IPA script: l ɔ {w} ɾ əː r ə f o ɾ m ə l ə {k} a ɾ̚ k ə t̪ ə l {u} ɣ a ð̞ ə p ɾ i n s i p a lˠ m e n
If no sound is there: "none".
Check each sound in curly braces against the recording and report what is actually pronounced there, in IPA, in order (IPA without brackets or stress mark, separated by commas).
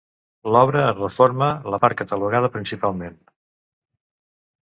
β, p, u